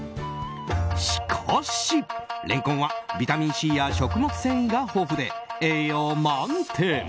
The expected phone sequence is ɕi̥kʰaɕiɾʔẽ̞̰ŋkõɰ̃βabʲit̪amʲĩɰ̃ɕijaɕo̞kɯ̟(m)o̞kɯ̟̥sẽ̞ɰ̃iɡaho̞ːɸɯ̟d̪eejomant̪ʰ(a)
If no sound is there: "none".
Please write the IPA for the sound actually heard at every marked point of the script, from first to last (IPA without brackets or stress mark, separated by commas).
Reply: m, e